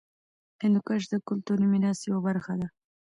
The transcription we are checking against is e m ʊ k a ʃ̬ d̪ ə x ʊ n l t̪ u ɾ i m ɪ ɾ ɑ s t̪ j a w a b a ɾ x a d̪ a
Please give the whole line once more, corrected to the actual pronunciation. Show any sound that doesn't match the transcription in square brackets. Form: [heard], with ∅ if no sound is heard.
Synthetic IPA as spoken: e [n] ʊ k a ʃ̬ d̪ ə [k] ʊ [∅] l t̪ u ɾ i m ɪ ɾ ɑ s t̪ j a w a b a ɾ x a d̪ a